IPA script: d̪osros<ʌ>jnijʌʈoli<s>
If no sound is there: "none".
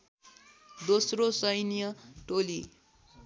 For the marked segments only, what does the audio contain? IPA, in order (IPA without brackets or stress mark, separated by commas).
ʌ, none